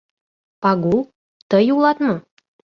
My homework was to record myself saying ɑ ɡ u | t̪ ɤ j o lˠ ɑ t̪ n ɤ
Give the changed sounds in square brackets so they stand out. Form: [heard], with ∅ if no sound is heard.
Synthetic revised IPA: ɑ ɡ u | t̪ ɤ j [u] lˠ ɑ t̪ [m] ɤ